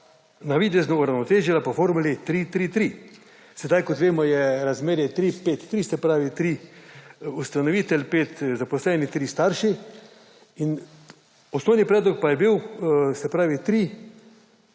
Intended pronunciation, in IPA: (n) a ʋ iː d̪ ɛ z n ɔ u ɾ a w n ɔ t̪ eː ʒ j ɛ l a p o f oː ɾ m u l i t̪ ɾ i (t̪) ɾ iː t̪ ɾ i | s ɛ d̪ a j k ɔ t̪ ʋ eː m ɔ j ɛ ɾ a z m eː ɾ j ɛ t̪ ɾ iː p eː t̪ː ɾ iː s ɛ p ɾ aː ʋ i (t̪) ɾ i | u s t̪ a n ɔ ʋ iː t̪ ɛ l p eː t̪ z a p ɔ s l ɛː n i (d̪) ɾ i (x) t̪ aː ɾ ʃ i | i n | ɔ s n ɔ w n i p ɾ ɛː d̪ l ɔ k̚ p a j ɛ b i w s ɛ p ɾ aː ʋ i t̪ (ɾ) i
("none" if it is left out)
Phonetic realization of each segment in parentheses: n, t̪, t̪, t̪, s, ɾ

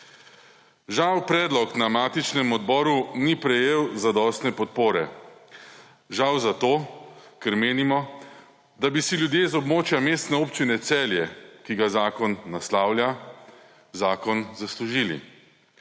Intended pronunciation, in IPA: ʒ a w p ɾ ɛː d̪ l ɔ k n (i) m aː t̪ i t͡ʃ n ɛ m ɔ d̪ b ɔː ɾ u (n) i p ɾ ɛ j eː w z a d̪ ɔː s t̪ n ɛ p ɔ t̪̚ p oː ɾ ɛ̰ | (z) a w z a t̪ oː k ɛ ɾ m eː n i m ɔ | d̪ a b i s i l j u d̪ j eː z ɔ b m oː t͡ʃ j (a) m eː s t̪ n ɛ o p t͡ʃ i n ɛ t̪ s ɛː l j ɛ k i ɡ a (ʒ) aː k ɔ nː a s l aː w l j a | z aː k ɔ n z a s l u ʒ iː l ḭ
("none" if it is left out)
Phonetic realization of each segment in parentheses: a, n, ʒ, a, z

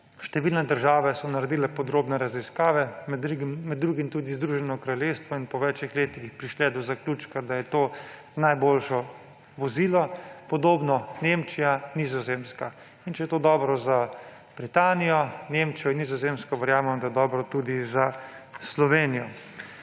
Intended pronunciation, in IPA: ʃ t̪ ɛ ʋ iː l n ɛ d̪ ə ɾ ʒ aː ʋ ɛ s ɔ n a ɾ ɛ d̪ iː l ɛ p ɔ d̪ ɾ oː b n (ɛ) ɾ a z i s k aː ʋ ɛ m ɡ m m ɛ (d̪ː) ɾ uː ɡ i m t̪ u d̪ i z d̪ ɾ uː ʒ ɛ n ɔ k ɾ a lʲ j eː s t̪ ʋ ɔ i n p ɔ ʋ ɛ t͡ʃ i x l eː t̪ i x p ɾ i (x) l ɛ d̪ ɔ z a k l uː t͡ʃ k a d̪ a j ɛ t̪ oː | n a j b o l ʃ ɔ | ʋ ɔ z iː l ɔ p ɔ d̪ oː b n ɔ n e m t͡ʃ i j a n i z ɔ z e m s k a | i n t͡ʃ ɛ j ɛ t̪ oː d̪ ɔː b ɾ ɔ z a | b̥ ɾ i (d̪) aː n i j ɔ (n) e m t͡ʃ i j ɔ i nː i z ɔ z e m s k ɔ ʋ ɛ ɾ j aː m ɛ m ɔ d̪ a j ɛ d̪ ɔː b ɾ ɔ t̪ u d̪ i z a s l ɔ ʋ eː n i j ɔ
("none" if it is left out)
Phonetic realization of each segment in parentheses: ɛ, d̪ː, ʃ, t̪, n

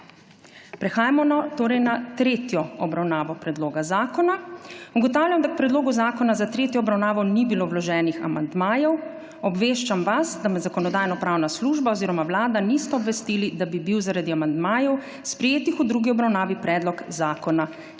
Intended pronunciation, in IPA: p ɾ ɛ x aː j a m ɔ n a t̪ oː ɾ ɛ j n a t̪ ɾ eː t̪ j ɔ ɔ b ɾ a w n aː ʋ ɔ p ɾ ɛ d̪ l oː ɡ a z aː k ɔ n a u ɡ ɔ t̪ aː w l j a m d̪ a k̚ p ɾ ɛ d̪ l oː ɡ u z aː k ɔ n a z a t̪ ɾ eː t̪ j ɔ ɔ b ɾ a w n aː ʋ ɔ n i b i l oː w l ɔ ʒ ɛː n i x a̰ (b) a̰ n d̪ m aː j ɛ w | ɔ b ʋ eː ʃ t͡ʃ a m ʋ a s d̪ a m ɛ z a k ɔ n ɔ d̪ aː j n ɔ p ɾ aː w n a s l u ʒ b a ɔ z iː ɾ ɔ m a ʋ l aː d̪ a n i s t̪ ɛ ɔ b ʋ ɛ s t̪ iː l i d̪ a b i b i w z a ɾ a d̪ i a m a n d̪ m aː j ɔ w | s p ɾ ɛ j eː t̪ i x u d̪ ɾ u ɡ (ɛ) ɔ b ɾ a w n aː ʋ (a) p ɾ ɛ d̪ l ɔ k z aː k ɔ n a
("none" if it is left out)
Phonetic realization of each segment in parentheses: m, i, i

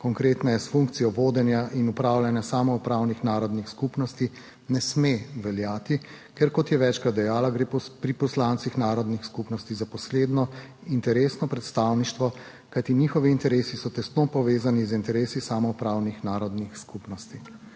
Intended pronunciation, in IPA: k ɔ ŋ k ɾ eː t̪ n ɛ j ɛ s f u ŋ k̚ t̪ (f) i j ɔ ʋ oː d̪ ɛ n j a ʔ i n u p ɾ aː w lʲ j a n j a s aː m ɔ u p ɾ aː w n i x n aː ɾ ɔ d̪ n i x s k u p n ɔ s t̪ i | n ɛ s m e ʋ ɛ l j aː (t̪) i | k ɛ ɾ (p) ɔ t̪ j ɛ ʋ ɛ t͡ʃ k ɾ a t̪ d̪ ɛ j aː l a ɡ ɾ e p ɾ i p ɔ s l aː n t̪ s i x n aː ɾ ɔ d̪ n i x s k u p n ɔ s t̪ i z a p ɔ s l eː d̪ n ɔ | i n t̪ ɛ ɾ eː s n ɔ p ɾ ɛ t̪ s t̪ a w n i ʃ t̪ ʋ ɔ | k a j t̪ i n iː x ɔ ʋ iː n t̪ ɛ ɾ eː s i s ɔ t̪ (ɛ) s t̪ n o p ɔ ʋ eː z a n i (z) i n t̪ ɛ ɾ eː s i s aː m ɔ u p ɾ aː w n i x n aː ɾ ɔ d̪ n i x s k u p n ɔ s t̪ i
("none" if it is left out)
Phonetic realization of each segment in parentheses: s, t̪, k, ɛ, z

